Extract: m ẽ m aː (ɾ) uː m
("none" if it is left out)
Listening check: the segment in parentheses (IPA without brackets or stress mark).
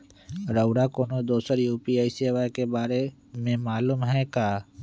l